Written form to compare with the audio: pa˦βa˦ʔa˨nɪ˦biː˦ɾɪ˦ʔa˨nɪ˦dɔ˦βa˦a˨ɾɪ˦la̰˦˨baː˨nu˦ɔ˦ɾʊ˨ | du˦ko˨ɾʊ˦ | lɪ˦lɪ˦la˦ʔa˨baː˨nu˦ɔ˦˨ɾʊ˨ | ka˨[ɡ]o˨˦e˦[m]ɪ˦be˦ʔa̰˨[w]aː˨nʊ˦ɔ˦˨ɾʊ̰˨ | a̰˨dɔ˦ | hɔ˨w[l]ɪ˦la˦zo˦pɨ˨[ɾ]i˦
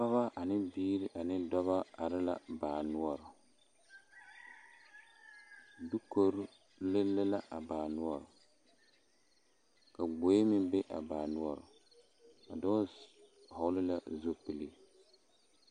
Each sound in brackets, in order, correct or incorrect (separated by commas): incorrect, correct, incorrect, correct, incorrect